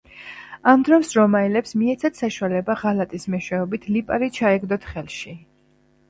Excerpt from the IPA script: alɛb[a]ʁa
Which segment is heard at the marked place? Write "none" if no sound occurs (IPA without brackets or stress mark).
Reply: a